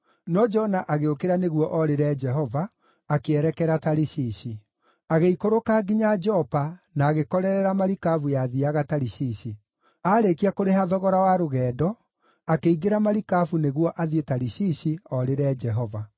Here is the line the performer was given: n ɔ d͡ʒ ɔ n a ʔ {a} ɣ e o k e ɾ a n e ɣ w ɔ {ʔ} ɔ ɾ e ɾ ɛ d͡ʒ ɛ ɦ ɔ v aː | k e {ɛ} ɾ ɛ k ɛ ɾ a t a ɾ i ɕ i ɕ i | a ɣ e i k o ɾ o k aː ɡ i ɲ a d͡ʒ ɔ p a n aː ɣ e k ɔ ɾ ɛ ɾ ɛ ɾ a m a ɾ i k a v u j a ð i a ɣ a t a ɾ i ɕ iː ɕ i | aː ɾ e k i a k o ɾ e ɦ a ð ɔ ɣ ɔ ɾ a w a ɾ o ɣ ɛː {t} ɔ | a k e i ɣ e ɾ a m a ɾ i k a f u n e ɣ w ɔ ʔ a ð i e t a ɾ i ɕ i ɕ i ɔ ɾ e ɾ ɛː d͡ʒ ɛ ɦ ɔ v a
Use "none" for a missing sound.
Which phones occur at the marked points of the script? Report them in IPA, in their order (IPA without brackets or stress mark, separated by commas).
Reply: a, ʔ, ɛ, d